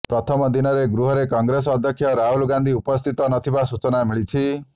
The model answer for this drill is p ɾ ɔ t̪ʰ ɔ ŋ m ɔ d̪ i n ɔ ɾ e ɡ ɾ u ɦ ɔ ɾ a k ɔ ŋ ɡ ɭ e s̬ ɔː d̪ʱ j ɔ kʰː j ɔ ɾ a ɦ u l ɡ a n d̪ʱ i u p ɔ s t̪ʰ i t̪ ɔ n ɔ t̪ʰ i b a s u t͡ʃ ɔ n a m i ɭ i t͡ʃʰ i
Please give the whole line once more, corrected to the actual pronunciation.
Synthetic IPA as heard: p ɾ ɔ t̪ʰ ɔ m ɔ d̪ i n ɔ ɾ e ɡ ɾ u ɦ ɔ ɾ e k ɔ ŋ ɡ ɾ e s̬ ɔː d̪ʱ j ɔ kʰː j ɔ ɾ a ɦ u l ɡ a n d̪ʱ i u p ɔ s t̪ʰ i t̪ ɔ n ɔ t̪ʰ i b a s u t͡ʃ ɔ n a m i ɭ i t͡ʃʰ i